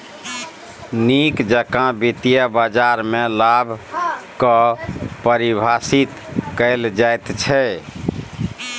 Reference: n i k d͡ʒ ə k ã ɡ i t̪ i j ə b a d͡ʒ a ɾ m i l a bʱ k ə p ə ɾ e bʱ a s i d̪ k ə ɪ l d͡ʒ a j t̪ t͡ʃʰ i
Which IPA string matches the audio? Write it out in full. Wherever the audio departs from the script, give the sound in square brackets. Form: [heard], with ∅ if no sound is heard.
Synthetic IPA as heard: n i k d͡ʒ ə k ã [b] i t̪ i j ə b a d͡ʒ a ɾ m [e] l a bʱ k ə p ə ɾ [i] bʱ a s i [t̪] k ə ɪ l d͡ʒ a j t̪ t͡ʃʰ [ɛ]